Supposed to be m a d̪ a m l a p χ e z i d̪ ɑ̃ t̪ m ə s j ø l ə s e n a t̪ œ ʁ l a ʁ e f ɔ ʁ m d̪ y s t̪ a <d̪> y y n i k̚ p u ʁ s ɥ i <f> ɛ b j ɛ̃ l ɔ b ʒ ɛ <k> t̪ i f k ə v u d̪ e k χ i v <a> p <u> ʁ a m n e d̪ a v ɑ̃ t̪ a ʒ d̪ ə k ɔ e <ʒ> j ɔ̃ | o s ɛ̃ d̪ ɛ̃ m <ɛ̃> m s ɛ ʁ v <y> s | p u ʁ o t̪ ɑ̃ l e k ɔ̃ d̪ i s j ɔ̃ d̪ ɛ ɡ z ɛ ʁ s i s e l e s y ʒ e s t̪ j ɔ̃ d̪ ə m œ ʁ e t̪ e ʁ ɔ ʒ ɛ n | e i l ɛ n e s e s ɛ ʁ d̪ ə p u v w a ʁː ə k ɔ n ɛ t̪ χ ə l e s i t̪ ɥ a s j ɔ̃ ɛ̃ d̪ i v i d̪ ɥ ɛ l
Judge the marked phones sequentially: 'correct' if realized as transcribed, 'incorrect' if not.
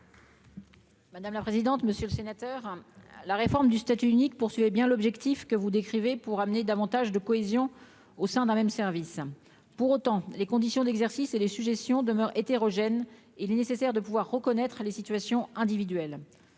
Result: incorrect, incorrect, correct, incorrect, correct, incorrect, incorrect, incorrect

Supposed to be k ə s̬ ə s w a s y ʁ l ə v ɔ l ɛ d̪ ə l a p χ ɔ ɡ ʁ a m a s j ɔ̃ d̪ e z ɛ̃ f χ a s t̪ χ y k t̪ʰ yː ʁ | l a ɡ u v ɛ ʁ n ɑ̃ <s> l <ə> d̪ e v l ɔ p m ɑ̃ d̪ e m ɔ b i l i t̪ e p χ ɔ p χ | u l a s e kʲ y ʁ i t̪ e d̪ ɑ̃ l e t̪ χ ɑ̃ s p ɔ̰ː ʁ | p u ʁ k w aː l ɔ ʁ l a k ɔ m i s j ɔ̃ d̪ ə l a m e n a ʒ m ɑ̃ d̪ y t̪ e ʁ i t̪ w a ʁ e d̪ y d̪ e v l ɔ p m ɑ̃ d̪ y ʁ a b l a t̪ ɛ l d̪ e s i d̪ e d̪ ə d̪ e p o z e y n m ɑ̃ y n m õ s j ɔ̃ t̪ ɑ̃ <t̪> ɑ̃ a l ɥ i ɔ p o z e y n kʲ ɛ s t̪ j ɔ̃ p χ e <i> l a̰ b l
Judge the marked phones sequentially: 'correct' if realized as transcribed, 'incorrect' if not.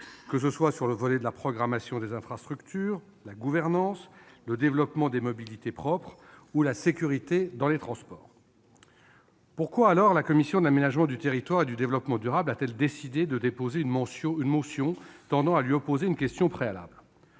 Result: correct, correct, incorrect, incorrect

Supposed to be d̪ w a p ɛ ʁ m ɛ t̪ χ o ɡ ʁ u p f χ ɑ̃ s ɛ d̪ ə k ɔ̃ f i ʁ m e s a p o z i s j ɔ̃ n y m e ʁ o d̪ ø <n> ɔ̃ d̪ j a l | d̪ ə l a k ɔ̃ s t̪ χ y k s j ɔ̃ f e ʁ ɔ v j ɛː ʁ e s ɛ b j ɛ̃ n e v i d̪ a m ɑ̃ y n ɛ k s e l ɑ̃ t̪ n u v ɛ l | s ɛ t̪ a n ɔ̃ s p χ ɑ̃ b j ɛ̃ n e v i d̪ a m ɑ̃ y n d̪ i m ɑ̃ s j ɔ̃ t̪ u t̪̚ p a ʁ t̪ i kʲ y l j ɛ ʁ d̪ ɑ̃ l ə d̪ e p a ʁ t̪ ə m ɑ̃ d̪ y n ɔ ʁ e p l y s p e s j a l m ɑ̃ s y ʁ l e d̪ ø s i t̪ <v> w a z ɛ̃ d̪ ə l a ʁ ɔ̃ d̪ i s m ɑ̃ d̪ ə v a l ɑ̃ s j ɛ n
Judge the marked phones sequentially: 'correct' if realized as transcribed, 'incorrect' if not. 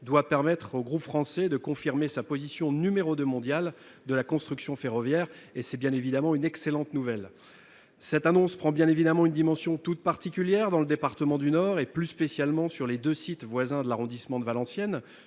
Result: incorrect, correct

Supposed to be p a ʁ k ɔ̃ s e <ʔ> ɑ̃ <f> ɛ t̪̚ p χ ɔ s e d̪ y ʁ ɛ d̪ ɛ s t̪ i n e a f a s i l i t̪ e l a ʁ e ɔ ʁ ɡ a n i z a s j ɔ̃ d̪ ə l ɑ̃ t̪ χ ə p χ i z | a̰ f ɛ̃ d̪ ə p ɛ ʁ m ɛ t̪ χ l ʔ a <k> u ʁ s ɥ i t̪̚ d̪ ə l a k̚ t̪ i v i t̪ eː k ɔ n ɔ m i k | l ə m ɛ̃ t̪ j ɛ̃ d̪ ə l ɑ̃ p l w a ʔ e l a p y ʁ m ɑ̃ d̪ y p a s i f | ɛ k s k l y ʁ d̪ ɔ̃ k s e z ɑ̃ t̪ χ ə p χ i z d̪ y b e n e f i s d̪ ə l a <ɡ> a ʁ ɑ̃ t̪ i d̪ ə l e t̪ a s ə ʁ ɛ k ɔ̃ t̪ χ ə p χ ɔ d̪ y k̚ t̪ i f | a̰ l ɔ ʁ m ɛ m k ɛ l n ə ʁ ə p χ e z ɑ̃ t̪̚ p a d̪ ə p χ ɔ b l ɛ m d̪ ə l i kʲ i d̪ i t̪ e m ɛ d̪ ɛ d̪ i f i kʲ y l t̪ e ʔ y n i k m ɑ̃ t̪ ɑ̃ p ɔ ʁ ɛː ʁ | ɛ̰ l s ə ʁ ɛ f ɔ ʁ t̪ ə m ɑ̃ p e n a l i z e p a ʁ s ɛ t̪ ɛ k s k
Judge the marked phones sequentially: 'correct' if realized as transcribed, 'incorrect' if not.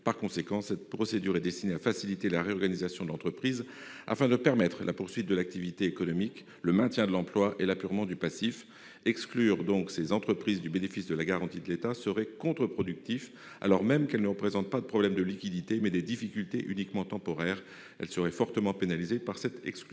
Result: incorrect, incorrect, incorrect, correct

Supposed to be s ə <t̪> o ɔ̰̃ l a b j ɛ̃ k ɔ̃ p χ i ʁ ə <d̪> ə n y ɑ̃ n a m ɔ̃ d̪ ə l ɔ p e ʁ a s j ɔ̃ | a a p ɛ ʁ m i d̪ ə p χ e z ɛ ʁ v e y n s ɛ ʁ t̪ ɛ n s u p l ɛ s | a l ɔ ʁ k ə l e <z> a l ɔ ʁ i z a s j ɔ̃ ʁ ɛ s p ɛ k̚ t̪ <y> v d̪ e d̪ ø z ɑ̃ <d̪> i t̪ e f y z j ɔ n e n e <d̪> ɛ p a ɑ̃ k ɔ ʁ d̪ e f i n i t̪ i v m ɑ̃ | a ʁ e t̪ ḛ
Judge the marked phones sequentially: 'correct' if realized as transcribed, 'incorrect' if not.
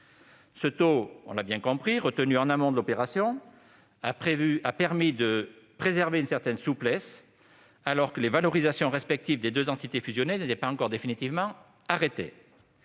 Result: correct, incorrect, incorrect, incorrect, incorrect, incorrect

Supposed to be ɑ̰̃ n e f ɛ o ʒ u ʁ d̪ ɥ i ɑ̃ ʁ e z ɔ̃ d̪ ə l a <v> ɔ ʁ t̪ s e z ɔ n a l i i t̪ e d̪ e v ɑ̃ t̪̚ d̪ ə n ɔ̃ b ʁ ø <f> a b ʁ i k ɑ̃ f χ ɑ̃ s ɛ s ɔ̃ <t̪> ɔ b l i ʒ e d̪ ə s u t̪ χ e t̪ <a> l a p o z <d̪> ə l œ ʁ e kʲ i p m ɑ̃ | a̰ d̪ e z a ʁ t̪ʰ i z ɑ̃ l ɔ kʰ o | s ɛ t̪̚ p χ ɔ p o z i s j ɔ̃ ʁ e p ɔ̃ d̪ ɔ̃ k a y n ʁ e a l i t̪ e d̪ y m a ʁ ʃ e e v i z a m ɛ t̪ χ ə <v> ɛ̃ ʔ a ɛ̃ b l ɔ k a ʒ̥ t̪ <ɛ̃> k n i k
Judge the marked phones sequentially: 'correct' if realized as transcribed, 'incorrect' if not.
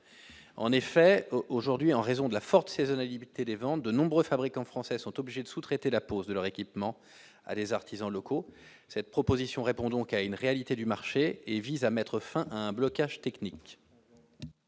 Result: incorrect, correct, correct, incorrect, correct, incorrect, incorrect

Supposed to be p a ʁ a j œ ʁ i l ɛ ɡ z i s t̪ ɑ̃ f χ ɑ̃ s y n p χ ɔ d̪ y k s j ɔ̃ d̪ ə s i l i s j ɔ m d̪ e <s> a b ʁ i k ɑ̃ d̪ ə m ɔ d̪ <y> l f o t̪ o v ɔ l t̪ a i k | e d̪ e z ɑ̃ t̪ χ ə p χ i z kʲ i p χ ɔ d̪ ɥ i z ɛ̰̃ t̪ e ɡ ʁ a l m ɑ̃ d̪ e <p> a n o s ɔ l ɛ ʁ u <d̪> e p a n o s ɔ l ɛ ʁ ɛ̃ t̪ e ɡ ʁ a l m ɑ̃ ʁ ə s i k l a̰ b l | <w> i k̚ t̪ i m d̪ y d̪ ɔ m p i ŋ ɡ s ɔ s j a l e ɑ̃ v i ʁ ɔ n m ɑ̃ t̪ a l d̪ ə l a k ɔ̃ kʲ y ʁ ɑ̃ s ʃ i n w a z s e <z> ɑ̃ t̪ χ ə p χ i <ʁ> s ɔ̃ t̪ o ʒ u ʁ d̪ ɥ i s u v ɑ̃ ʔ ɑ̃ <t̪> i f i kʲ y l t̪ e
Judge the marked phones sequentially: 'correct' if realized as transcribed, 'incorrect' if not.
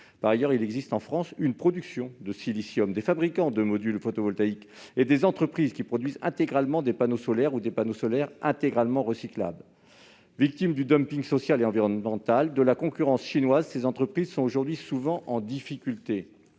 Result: incorrect, correct, correct, correct, incorrect, correct, incorrect, incorrect

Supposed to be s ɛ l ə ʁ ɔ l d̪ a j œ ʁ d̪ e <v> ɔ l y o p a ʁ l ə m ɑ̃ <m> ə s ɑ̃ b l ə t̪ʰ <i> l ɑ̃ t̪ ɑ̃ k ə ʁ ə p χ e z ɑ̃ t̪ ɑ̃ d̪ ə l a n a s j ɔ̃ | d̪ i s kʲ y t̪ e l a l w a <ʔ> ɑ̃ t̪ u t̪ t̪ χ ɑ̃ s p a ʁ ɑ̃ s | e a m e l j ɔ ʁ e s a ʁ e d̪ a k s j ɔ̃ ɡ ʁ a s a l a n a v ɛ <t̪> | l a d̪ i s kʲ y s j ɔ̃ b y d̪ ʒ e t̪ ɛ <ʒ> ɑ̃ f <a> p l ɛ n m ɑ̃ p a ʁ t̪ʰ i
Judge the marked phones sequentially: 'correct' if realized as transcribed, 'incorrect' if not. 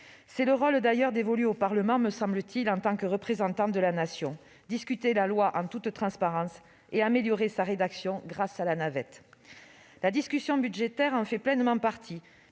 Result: correct, correct, correct, correct, correct, incorrect, incorrect

